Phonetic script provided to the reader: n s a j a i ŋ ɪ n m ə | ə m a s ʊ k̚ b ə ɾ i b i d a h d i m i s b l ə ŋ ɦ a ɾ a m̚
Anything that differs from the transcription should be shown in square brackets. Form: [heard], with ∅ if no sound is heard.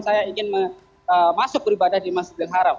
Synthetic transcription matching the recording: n s a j a i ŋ ɪ n m ə | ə m a s ʊ k̚ b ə ɾ i b [a] d a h d i m [a] s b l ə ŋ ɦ a ɾ a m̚

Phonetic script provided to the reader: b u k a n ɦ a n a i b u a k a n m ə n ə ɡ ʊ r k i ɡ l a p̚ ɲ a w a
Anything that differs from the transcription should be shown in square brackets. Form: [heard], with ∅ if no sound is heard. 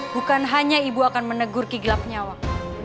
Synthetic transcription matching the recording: b u k a n ɦ a [ɲ] a i b u a k a n m ə n ə ɡ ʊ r k i ɡ l a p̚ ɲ a w a

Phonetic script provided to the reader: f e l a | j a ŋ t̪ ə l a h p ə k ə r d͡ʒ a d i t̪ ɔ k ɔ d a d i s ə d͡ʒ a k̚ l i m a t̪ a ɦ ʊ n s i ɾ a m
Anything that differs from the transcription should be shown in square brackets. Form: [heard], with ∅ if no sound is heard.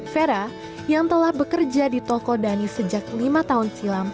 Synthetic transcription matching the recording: f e [ɾ] a | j a ŋ t̪ ə l a h [b] ə k ə r d͡ʒ a d i t̪ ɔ k ɔ d a [n] i s ə d͡ʒ a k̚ l i m a t̪ a ɦ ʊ n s i [l] a m

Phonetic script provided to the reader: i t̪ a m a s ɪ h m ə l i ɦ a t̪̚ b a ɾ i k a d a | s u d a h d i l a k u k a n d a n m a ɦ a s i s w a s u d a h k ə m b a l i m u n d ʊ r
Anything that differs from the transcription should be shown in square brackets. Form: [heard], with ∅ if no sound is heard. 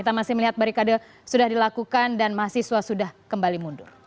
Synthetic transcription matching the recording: i t̪ a m a s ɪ h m ə l i ɦ a t̪̚ b a ɾ i k a d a | s u d a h d i l a k u k a n d a n m a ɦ a s i s w a s u d a h k ə m b a l i m u n d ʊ r

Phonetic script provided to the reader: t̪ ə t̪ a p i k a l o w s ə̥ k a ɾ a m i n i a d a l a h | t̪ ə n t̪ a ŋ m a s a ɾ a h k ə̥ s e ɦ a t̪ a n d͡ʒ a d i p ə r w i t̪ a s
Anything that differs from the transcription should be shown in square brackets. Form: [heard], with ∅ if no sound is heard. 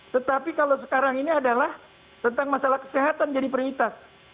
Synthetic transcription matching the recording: t̪ ə t̪ a p i k a l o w s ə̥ k a ɾ a [ŋ] i n i a d a l a h | t̪ ə n t̪ a ŋ m a s a [l] a h k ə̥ s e ɦ a t̪ a n d͡ʒ a d i p ə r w i t̪ a s

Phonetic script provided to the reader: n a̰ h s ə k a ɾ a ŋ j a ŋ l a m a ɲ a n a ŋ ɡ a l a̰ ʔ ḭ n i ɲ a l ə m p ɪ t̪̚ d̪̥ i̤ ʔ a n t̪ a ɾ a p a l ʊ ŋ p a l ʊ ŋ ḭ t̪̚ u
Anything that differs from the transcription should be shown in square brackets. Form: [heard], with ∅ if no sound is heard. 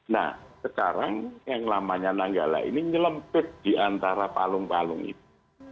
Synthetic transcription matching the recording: n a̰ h s ə k a ɾ a ŋ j a ŋ l a m a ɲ a n a ŋ ɡ a l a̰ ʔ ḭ n i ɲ [ə] l ə m p ɪ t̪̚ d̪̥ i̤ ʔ a n t̪ a ɾ a p a l ʊ ŋ p a l ʊ ŋ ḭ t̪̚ u

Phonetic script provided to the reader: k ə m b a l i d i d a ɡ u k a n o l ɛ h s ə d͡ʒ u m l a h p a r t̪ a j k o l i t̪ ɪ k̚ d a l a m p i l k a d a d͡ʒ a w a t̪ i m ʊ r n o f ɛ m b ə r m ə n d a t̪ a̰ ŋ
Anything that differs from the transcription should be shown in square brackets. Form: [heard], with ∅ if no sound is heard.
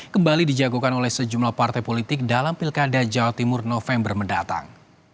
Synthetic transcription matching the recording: k ə m b a l i d i [d͡ʒ] a ɡ u k a n o l ɛ h s ə d͡ʒ u m l a h p a r t̪ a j [p] o l i t̪ ɪ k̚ d a l a m p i l k a d a d͡ʒ a w a t̪ i m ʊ r n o f ɛ m b ə r m ə n d a t̪ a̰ ŋ

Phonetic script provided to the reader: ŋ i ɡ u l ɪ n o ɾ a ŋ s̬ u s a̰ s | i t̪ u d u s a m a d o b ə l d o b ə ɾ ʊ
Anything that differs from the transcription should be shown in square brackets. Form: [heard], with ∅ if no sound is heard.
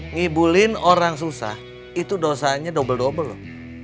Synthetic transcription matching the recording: ŋ i [b] u l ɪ n o ɾ a ŋ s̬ u s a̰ [h] | i t̪ u d [o] s a [ɲ] a d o b ə l d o b ə [l] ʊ

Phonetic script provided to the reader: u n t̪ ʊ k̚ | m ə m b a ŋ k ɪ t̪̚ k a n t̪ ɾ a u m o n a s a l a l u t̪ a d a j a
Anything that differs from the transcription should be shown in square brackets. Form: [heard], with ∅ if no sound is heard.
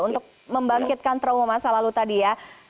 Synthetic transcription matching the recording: u n t̪ ʊ k̚ | m ə m b a ŋ k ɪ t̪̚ k a n t̪ ɾ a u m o [m] a s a l a l u t̪ a d [i] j a

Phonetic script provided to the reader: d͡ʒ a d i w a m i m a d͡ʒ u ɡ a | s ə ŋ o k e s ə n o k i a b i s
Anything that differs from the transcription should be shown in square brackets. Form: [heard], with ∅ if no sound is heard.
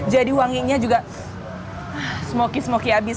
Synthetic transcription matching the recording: d͡ʒ a d i w a [ŋ] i [ɲ] a d͡ʒ u ɡ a | s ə [m] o k [i] s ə [m] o k i a b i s

